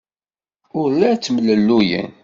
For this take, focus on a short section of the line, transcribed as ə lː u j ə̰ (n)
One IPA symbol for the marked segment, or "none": n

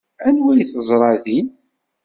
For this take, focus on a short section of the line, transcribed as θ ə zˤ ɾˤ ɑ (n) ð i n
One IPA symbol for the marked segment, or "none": none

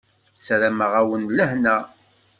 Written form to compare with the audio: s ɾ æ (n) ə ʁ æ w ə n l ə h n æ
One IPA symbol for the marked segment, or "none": m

